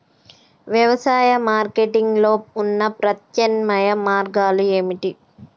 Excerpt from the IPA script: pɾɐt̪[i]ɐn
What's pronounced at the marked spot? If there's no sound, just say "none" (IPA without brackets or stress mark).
j